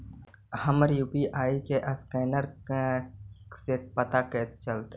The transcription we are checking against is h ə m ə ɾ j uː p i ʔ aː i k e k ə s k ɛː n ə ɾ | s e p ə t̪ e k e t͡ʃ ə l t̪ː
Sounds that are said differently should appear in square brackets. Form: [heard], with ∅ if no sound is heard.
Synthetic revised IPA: h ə m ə ɾ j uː p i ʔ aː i k e [ʔ] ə s k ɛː n ə ɾ | s e p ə t̪ [a] k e t͡ʃ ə l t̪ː